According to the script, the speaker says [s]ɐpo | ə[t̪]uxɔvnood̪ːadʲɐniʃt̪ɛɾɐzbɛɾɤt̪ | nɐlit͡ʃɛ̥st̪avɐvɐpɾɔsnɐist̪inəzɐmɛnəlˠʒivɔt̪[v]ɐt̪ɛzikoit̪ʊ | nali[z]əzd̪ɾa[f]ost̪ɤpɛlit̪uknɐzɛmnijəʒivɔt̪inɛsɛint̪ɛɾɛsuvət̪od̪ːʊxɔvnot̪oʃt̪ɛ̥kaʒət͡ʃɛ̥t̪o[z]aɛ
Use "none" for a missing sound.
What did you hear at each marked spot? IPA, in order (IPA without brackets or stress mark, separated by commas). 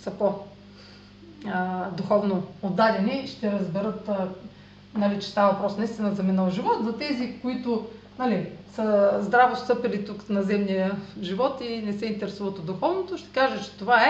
s, d̪, z, s, v, v